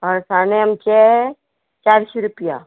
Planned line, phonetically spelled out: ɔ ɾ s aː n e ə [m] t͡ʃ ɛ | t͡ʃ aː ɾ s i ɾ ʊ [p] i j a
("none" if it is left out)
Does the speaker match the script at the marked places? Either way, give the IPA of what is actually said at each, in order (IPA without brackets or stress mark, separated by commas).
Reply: m, p